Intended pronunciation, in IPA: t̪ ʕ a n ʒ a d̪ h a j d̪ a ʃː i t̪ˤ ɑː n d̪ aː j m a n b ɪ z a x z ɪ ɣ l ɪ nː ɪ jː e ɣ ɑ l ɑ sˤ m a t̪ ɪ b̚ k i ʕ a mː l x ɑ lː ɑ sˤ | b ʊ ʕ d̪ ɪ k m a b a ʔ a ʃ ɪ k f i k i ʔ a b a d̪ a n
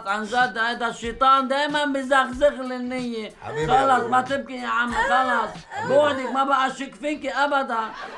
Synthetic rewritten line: t̪ ʕ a n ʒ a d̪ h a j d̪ a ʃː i t̪ˤ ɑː n d̪ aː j m a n b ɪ z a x z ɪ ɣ l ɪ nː ɪ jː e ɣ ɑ l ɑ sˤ m a t̪ ɪ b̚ k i ʕ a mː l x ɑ l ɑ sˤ | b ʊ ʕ d̪ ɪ k m a b a ʔ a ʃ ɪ k f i k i ʔ a b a d̪ a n

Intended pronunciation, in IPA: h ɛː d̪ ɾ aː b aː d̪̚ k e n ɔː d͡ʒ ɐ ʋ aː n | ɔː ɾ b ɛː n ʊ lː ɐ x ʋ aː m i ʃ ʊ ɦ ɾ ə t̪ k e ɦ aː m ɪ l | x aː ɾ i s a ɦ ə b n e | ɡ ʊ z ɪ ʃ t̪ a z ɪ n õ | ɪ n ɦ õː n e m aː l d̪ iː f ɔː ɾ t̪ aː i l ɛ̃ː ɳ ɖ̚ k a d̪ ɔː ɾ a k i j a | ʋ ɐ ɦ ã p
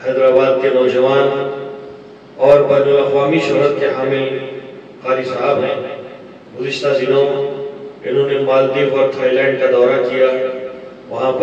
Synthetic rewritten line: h ɛː d̪ ɾ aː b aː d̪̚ k e n ɔː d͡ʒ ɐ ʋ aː n | ɔː ɾ b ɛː n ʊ l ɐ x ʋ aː m i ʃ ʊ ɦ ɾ ə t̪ k e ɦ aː m ɪ l | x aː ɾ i s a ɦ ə b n e | ɡ ʊ z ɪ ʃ t̪ a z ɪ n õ | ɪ n ɦ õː n e m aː l d̪ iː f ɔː ɾ t̪ʰ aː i l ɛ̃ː ɳ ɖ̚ k a d̪ ɔː ɾ a k i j a | ʋ ɐ ɦ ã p

